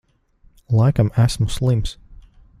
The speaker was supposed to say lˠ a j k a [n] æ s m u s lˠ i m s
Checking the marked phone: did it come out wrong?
yes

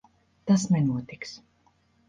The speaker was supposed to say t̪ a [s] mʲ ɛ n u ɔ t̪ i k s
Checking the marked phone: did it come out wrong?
no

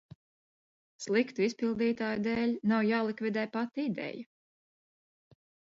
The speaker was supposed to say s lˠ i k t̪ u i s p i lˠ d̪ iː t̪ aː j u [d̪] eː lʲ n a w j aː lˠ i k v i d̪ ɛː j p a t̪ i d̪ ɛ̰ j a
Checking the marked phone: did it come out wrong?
no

